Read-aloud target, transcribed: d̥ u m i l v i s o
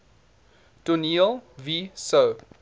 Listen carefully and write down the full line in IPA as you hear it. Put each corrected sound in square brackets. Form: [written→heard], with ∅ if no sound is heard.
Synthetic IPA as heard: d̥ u [m→n] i l v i s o